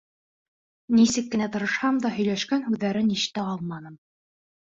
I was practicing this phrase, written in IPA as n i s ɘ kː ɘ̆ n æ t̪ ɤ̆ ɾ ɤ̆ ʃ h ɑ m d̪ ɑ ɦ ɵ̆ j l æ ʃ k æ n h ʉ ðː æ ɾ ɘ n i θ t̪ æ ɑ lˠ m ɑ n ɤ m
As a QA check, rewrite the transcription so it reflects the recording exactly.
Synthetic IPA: n i s ɘ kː ɘ̆ n æ t̪ ɤ̆ ɾ ɤ̆ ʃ h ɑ m d̪ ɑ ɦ ɵ̆ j l æ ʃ k æ n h ʉ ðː æ ɾ ɘ n i ʃ t̪ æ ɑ lˠ m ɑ n ɤ m